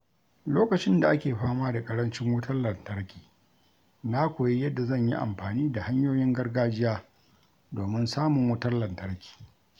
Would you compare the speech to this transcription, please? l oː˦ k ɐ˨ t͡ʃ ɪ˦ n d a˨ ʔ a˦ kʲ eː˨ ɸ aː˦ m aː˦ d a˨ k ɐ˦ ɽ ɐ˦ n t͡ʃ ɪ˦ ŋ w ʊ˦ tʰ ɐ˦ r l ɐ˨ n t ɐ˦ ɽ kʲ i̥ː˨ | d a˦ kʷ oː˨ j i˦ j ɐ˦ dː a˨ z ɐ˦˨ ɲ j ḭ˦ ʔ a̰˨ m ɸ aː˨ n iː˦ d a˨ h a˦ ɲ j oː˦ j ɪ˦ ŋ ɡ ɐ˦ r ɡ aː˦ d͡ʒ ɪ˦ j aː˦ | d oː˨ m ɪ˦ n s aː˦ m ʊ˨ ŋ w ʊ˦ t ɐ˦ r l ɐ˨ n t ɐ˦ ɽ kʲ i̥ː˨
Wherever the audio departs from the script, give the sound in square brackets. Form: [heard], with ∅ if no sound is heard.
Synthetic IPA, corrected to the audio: l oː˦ k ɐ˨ t͡ʃ ɪ˦ n d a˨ ʔ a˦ kʲ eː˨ ɸ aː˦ m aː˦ d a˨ [kʼ] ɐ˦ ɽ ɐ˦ n t͡ʃ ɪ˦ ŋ w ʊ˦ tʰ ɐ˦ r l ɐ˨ n t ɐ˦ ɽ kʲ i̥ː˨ | [n] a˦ kʷ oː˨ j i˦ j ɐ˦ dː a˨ z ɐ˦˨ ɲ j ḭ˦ ʔ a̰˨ m ɸ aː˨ n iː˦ d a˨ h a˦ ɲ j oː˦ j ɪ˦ ŋ ɡ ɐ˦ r ɡ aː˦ d͡ʒ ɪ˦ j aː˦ | d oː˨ m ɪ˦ n s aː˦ m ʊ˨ ŋ w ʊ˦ t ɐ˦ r l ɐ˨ n t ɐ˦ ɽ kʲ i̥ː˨